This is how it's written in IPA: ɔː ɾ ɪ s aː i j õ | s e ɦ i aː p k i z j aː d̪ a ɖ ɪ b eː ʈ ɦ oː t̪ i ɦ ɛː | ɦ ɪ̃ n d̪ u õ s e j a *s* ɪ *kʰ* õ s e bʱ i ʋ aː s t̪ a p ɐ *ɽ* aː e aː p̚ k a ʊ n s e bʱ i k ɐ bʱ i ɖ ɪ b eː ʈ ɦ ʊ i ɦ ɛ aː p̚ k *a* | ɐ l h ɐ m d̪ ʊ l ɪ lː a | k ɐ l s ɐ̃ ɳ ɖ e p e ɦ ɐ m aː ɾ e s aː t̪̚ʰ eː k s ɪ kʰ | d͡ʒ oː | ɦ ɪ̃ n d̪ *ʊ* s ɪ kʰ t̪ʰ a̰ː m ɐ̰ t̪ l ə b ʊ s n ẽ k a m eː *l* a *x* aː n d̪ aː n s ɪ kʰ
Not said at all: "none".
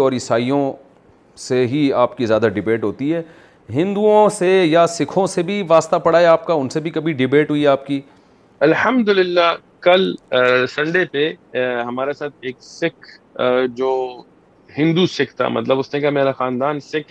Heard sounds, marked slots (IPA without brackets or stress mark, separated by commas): s, kʰ, ɽ, i, u, ɾ, x